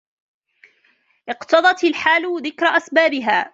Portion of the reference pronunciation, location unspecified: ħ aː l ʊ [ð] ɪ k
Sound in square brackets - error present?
no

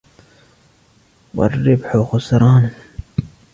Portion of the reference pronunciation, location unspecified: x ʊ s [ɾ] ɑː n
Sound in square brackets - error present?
no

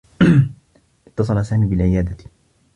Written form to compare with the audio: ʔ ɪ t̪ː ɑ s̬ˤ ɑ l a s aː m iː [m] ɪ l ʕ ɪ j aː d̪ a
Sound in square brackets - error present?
yes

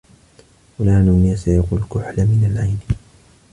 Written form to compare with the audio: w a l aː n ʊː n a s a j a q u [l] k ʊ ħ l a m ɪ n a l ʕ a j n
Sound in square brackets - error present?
no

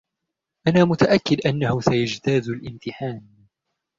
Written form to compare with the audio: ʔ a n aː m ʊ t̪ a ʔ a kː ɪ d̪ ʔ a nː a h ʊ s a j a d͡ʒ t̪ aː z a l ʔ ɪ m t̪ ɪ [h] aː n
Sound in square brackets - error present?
yes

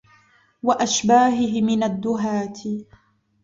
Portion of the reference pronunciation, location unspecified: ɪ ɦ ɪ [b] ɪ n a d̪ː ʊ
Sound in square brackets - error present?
yes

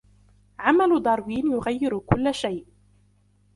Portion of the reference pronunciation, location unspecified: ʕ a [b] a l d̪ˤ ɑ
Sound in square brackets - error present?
yes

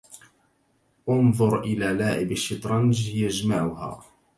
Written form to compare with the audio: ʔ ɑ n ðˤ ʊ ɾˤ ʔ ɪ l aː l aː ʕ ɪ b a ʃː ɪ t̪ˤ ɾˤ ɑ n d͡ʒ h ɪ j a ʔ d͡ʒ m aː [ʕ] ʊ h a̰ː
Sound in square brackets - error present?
no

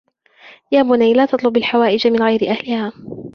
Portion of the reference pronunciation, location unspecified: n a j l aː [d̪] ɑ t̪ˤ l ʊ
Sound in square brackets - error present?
yes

